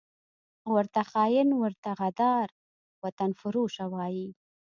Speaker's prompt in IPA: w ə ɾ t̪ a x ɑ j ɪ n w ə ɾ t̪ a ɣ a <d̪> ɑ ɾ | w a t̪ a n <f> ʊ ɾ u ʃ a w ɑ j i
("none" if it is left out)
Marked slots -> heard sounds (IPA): d̪, f

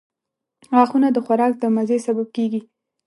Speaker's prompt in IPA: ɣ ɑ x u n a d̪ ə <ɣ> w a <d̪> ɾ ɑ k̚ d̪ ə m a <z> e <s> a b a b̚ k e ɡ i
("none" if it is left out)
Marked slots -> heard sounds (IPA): x, none, z, s

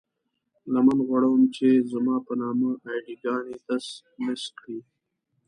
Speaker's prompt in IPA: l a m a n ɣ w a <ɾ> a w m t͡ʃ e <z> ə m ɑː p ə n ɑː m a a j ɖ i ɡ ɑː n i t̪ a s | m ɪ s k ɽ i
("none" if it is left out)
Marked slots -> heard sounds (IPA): ɽ, z

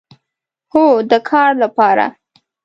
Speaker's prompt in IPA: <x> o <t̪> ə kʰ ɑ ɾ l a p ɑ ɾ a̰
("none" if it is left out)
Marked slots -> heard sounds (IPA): h, d̪

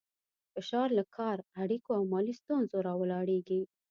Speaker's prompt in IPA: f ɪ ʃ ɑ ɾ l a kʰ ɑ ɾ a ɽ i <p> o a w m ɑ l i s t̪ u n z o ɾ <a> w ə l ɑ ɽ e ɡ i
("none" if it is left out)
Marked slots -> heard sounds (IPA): k, ɑ

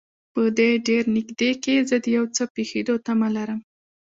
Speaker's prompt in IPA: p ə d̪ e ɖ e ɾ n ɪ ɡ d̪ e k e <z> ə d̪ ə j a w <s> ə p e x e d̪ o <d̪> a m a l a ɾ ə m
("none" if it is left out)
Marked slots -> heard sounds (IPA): z, t͡s, t̪

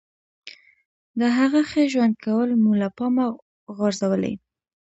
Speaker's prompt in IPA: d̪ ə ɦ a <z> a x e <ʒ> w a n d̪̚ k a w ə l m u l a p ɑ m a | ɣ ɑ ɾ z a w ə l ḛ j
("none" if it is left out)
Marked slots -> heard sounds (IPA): ɣ, ʒ

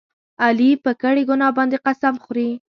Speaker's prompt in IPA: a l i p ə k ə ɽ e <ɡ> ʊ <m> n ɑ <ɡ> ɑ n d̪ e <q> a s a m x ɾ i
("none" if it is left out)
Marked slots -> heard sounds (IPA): ɡ, none, b, q

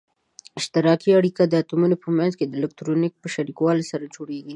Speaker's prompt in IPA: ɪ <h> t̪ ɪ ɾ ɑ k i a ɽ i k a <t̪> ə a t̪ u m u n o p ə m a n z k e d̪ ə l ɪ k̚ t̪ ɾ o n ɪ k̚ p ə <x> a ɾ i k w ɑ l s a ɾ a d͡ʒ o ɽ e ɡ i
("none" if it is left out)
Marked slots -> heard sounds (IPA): ʃ, d̪, ʃ

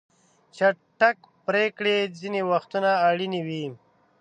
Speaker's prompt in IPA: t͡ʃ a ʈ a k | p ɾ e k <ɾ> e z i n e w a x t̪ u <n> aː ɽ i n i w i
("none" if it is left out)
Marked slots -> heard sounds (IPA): ɽ, n

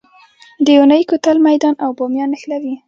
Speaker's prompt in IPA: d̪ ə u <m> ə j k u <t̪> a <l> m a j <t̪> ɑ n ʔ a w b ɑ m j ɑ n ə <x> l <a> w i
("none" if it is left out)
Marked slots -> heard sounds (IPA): n, t̪, l, d̪, x, a

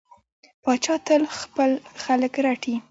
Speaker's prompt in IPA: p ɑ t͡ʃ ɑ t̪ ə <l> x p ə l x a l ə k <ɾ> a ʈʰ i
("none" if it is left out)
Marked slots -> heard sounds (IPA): l, ɾ

